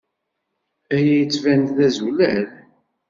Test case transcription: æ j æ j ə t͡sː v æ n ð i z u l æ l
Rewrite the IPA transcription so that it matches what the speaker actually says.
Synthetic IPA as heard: æ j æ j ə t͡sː v æ n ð æ z u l æ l

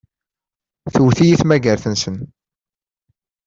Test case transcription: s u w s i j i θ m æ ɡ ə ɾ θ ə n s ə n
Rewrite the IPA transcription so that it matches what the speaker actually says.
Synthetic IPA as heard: θ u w θ i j i θ m æ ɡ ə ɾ θ ə n s ə n

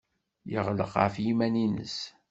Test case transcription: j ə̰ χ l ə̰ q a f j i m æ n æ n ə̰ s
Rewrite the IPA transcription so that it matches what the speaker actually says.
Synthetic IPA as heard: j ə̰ ʁ l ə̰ q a f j i m æ n i n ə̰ s

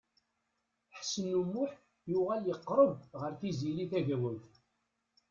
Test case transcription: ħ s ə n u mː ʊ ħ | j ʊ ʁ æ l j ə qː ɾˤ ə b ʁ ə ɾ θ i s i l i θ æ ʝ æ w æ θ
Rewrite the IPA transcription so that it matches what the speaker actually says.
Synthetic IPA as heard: ħ s ə n u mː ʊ ħ | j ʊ ʁ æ l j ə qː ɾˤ ə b ʁ ə ɾ θ i z i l i θ æ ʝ æ w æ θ

